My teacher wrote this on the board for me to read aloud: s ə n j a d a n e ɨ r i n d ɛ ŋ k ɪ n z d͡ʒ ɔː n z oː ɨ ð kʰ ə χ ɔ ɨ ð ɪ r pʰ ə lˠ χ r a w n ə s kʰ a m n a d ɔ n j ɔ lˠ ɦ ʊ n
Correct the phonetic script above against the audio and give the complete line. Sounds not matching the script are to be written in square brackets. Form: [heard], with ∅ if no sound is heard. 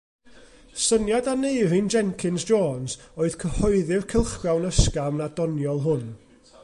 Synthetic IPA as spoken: s ə n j a d a n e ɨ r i n [d͡ʒ] ɛ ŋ [kʰ] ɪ n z d͡ʒ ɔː n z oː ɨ ð kʰ ə [h] ɔ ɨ ð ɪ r [kʰ] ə lˠ χ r a w n ə s [k] a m n a d ɔ n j ɔ lˠ ɦ ʊ n